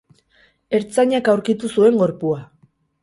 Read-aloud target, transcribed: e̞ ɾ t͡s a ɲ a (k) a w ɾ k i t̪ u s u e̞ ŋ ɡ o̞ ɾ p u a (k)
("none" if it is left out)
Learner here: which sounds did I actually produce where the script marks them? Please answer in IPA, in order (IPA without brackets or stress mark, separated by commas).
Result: k, none